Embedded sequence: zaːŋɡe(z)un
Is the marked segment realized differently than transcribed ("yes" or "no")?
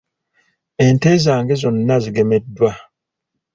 no